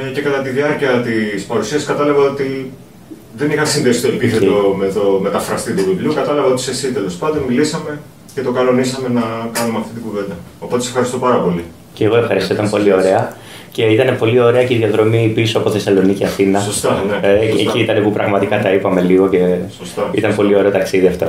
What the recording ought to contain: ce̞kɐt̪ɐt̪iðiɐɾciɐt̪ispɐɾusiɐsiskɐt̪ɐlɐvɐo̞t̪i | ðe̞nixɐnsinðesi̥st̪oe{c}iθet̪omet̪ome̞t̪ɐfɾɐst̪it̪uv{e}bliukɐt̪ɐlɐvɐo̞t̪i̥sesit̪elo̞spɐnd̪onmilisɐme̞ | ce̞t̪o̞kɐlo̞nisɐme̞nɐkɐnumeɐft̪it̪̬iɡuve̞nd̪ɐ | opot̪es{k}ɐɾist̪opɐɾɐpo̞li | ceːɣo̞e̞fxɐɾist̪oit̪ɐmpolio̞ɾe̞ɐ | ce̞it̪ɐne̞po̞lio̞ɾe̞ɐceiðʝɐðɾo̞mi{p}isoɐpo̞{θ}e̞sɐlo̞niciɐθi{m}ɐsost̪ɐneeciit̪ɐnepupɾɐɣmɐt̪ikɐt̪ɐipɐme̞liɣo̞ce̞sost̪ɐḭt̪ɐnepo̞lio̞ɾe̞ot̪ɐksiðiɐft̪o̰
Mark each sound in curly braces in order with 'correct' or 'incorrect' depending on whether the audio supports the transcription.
incorrect, incorrect, incorrect, correct, correct, incorrect

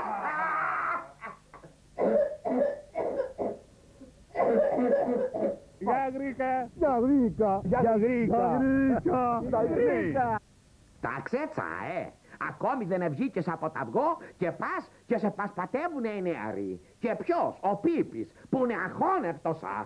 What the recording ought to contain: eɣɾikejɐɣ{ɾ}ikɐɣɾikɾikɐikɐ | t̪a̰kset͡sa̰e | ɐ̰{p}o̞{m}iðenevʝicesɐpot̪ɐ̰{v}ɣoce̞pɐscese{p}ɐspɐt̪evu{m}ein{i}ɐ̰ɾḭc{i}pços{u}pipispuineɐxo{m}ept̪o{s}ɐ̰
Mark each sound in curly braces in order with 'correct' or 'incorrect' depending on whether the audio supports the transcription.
correct, incorrect, correct, correct, correct, incorrect, incorrect, incorrect, incorrect, incorrect, correct

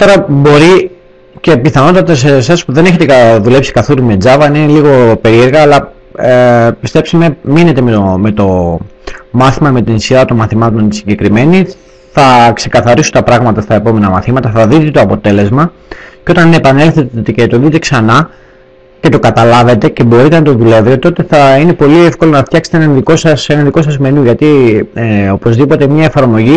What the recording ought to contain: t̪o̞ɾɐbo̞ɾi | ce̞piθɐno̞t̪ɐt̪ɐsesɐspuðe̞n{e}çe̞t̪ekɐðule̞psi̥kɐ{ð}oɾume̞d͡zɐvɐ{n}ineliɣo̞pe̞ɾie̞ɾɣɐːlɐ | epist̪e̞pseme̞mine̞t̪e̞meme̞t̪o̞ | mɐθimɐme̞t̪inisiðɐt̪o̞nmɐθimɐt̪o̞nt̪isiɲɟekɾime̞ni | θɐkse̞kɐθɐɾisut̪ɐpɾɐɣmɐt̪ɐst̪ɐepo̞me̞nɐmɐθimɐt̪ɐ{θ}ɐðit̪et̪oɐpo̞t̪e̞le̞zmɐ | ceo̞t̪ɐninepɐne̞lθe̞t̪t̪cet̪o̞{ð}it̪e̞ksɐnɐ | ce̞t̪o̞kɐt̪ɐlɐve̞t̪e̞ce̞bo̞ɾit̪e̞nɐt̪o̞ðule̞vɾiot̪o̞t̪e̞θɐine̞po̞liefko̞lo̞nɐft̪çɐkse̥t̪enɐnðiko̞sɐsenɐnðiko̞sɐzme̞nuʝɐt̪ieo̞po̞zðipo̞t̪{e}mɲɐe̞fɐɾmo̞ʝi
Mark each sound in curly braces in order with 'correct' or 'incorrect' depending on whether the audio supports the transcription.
correct, incorrect, correct, correct, correct, correct

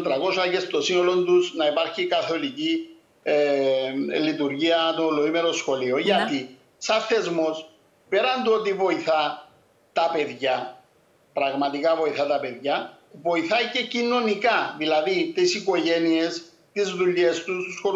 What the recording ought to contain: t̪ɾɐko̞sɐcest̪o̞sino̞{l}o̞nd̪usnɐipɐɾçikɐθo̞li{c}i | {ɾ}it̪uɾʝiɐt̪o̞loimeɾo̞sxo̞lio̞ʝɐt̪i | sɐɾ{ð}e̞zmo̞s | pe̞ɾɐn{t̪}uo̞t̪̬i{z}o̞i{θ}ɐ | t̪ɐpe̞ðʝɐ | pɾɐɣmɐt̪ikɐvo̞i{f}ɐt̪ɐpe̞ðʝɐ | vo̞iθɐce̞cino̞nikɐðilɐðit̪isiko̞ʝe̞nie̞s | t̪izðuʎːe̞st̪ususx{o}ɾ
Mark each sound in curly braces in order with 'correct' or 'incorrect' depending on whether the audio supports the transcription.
correct, correct, incorrect, incorrect, incorrect, incorrect, correct, incorrect, correct

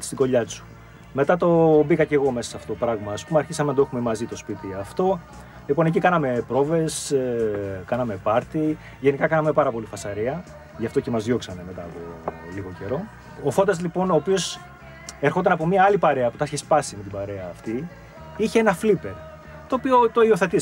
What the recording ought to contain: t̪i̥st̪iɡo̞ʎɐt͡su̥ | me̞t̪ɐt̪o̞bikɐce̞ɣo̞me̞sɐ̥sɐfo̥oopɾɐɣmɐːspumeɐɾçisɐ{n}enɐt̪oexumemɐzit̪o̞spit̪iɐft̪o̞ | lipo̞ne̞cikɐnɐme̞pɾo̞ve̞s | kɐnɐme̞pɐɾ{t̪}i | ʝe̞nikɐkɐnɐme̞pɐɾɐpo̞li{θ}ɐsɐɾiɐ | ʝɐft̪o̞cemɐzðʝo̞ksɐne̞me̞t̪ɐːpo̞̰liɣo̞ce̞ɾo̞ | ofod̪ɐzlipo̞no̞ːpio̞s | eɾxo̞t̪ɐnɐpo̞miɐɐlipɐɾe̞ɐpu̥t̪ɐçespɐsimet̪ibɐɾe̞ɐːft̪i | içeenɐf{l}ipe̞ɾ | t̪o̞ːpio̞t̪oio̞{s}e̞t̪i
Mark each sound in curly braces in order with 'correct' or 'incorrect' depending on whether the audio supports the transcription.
incorrect, correct, incorrect, correct, incorrect

